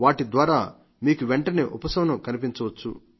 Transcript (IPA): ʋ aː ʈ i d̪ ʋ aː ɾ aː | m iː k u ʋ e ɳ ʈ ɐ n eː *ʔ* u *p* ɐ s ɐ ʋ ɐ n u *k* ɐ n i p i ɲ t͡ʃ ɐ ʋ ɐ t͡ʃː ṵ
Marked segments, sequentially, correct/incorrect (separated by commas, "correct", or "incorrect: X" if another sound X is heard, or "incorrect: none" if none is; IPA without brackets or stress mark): correct, correct, correct